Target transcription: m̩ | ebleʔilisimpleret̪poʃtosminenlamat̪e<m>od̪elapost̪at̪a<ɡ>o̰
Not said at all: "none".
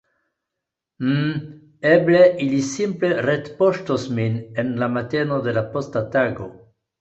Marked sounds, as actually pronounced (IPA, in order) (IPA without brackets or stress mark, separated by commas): n, ɡ